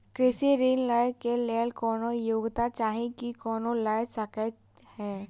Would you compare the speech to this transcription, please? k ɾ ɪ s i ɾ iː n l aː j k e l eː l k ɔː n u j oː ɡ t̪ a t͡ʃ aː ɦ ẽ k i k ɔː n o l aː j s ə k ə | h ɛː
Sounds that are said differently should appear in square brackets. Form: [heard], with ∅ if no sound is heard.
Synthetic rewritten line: k ɾ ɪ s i ɾ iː n l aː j k e l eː l k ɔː n [o] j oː ɡ t̪ a t͡ʃ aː ɦ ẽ k i k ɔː n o l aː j s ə k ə | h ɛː